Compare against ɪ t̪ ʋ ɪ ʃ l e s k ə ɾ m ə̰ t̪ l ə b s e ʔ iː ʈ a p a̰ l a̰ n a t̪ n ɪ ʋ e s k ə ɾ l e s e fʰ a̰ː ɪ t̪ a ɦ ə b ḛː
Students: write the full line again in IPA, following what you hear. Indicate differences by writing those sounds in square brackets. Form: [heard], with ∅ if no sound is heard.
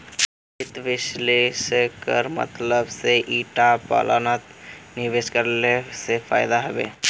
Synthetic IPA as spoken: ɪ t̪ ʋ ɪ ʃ l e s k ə ɾ m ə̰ t̪ l ə b s e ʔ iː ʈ a p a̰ l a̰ n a t̪ n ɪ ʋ e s k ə ɾ l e s e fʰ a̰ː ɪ [d̪] a ɦ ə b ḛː

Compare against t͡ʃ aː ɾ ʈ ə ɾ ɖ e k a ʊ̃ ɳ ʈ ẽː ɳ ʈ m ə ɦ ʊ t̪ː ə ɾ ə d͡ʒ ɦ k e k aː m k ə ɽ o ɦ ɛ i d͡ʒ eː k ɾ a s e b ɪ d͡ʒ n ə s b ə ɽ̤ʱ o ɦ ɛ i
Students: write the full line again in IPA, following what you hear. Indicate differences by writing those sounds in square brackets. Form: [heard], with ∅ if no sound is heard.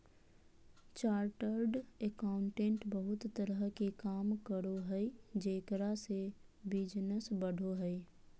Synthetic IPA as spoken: t͡ʃ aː ɾ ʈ ə ɾ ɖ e k a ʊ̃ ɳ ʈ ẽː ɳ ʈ [b] ə ɦ ʊ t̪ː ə ɾ ə [∅] ɦ k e k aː m k ə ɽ o ɦ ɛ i d͡ʒ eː k ɾ a s e b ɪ d͡ʒ n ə s b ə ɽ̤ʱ o ɦ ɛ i

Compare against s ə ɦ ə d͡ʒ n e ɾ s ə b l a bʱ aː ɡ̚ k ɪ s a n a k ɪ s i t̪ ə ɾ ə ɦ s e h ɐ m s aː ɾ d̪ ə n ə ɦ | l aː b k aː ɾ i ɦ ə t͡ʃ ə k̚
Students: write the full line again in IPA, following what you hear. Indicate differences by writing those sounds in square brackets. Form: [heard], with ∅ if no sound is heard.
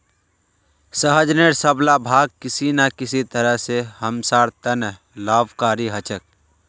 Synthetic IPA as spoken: s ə ɦ ə d͡ʒ n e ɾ s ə b l a bʱ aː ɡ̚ k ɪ s [i] n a k ɪ s i t̪ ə ɾ ə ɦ s e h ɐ m s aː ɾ [t̪] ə n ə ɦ | l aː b k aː ɾ i ɦ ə t͡ʃ ə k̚

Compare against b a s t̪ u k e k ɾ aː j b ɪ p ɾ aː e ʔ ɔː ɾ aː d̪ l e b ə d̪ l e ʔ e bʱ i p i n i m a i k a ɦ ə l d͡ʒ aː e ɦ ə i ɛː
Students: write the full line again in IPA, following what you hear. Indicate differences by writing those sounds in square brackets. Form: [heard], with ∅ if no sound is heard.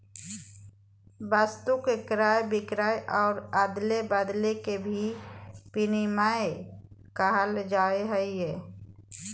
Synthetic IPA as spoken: b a s t̪ u k e k ɾ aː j b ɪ [k] ɾ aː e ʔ ɔː ɾ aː d̪ l e b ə d̪ l e [k] e bʱ i p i n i m a [e] k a ɦ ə l d͡ʒ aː e ɦ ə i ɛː

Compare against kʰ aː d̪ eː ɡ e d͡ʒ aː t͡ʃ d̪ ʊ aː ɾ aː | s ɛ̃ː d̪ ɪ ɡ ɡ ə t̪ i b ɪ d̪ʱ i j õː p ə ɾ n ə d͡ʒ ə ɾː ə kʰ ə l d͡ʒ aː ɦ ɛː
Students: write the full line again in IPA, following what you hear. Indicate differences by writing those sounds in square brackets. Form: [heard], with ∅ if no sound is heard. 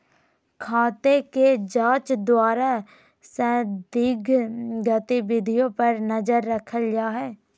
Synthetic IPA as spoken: kʰ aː [t̪] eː [k] e d͡ʒ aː t͡ʃ d̪ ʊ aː ɾ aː | s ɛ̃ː d̪ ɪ ɡ ɡ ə t̪ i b ɪ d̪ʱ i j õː p ə ɾ n ə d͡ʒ ə ɾː ə kʰ ə l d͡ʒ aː ɦ ɛː

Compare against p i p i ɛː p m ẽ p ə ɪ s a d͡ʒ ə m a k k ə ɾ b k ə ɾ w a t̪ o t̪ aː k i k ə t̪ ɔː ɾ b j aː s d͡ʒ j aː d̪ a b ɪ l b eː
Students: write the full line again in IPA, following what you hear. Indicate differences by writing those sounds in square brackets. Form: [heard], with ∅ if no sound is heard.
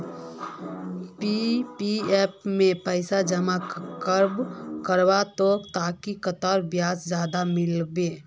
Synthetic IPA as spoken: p i p i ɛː p m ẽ p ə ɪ s a d͡ʒ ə m a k k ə ɾ b k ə ɾ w a t̪ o t̪ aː k i k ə t̪ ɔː ɾ b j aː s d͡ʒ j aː d̪ a [m] ɪ l b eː

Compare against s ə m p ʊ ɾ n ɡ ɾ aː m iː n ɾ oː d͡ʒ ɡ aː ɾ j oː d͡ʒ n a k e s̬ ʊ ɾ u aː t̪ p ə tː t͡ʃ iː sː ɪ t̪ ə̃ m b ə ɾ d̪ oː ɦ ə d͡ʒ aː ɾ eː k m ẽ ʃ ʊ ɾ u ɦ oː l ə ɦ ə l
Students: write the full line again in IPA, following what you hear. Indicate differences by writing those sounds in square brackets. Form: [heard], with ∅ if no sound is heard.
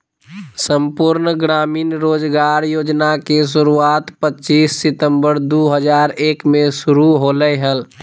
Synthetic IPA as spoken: s ə m p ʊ ɾ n ɡ ɾ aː m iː n ɾ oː d͡ʒ ɡ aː ɾ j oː d͡ʒ n a k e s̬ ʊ ɾ u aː t̪ p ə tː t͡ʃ iː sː ɪ t̪ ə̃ m b ə ɾ d̪ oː ɦ ə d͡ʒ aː ɾ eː k m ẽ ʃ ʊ ɾ u ɦ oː l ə ɦ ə l

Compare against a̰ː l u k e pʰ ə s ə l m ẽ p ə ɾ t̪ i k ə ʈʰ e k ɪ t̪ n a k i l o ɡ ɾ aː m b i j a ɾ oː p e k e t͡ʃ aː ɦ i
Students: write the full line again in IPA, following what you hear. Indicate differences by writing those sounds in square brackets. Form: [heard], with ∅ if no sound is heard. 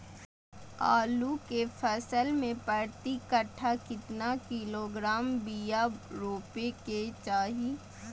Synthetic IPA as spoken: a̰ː l u k e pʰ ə s ə l m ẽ p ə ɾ t̪ i k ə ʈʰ [a] k ɪ t̪ n a k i l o ɡ ɾ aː m b i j a ɾ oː p e k e t͡ʃ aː ɦ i

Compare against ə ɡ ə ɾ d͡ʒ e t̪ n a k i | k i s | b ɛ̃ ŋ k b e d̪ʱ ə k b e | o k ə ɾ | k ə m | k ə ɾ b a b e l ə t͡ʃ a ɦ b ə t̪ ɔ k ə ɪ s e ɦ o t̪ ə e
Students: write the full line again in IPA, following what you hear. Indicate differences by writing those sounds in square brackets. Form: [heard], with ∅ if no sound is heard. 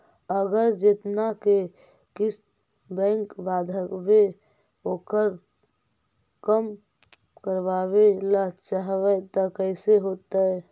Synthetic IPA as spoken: ə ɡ ə ɾ d͡ʒ e t̪ n a k [e] | k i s | b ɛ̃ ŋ k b [a] d̪ʱ ə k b e | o k ə ɾ | k ə m | k ə ɾ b a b e l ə t͡ʃ a ɦ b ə t̪ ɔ k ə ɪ s e ɦ o t̪ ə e

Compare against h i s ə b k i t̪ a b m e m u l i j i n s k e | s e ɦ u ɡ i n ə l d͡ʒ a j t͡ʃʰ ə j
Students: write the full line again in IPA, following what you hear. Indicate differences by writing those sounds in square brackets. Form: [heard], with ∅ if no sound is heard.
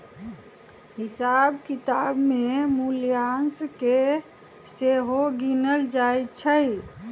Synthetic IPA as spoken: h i s [a] b k i t̪ a b m e m u l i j [a] n s k e | s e ɦ [o] ɡ i n ə l d͡ʒ a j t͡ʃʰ ə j

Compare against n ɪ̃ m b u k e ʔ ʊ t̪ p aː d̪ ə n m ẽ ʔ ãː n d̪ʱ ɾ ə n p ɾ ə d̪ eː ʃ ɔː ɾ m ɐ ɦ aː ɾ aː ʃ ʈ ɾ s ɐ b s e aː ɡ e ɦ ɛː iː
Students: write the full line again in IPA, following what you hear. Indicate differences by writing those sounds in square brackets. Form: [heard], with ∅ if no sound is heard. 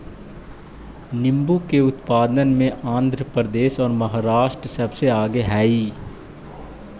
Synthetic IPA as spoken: n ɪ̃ m b u k e [∅] ʊ t̪ p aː d̪ ə n m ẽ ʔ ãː n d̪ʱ ɾ ə [∅] p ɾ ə d̪ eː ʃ ɔː ɾ m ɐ ɦ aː ɾ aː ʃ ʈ ɾ s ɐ b s e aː ɡ e ɦ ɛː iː

